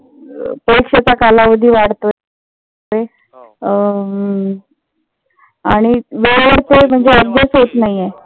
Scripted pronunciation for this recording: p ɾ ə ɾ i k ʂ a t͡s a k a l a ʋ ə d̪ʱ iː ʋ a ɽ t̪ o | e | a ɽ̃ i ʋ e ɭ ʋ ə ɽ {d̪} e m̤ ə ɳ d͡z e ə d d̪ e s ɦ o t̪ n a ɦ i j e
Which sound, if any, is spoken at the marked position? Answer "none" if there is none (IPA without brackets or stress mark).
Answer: t̪